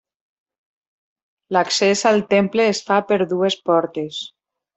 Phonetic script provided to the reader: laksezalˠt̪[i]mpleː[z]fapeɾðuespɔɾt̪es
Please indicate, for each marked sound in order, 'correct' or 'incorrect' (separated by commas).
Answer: incorrect, incorrect